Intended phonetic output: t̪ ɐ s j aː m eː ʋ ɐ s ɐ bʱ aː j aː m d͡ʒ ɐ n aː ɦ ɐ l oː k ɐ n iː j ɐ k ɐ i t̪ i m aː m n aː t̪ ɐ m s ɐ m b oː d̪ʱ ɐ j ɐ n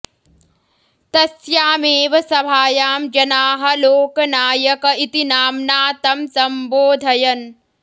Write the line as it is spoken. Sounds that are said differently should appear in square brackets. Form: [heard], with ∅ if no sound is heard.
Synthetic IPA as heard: t̪ ɐ s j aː m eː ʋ ɐ s ɐ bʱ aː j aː m d͡ʒ ɐ n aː ɦ ɐ l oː k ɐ n [aː] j ɐ k ɐ i t̪ i [n] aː m n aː t̪ ɐ m s ɐ m b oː d̪ʱ ɐ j ɐ n